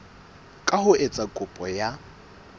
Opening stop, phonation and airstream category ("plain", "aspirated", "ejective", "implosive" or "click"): ejective